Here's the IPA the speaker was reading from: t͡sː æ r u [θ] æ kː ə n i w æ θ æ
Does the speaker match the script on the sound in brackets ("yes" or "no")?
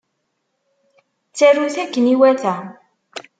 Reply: yes